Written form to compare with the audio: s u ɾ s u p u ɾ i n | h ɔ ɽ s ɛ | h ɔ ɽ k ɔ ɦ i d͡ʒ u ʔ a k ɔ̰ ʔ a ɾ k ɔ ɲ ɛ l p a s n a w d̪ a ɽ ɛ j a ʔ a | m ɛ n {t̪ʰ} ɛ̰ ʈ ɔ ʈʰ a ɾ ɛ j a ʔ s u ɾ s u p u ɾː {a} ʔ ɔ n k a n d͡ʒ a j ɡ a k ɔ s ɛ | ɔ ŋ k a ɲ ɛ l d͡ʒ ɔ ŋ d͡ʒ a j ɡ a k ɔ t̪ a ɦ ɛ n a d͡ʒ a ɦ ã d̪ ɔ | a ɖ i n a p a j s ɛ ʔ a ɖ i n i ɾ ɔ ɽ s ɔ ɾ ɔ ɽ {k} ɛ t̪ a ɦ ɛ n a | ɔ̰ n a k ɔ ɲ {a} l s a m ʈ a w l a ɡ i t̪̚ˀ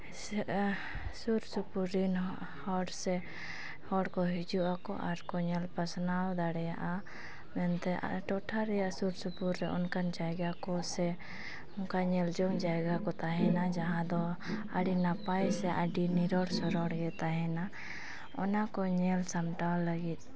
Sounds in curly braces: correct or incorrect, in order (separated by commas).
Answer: incorrect, incorrect, incorrect, incorrect